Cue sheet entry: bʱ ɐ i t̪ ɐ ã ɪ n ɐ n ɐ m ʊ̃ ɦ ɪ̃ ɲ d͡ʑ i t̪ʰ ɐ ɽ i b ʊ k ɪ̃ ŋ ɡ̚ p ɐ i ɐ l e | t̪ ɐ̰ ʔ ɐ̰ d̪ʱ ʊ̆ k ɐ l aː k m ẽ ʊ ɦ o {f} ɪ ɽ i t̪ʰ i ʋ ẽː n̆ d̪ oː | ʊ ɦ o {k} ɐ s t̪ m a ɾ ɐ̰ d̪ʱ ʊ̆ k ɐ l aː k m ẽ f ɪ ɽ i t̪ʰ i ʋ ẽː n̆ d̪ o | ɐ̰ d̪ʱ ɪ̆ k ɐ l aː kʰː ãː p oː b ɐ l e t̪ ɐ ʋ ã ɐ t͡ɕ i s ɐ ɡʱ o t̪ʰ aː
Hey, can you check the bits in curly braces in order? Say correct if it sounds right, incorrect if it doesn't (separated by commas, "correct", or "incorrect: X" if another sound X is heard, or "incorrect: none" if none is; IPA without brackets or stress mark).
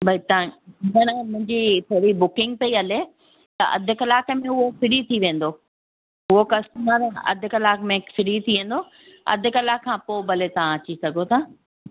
correct, correct